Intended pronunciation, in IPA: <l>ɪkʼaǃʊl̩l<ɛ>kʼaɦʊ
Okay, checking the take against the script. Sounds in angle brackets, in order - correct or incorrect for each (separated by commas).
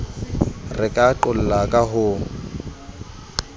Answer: incorrect, incorrect